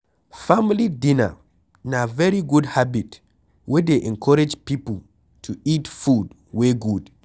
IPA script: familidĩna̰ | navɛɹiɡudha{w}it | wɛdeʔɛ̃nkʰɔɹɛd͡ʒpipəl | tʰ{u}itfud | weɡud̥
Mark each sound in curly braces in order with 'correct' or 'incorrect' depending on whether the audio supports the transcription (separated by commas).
incorrect, correct